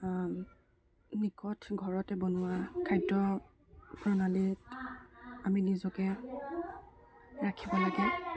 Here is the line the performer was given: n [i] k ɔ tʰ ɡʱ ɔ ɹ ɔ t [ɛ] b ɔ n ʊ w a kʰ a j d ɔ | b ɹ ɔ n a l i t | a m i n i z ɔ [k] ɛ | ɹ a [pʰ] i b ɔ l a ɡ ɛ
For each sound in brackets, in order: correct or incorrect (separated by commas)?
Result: correct, correct, correct, incorrect